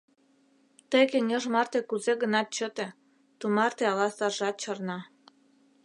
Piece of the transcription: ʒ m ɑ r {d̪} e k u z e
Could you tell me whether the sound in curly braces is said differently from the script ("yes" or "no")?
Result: yes